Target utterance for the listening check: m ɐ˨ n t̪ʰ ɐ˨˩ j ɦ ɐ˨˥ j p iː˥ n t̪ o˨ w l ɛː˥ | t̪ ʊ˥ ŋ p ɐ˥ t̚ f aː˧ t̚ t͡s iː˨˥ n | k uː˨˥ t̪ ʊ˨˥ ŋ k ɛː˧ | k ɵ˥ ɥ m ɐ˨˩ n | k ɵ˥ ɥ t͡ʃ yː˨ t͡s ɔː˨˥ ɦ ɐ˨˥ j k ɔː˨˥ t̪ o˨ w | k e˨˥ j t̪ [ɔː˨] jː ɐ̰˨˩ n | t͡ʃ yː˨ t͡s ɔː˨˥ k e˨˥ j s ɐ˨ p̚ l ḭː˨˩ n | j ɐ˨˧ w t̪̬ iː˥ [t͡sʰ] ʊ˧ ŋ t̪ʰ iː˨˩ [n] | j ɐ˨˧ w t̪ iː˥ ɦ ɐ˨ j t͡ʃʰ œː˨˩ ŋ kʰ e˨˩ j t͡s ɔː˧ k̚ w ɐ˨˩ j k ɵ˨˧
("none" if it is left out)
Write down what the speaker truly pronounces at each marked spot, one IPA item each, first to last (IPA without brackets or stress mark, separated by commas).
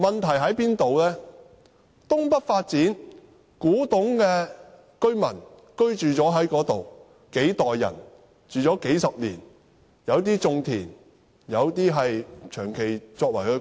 ɔː˨, t͡s, n